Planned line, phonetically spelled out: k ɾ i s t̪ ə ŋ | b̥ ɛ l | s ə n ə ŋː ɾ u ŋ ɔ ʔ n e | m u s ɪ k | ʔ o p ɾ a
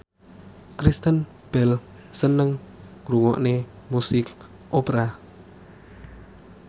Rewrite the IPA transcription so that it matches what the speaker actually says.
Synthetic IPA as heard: k ɾ i s t̪ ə n | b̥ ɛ l | s ə n ə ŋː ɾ u ŋ ɔ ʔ n e | m u s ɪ k | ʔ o p ɾ a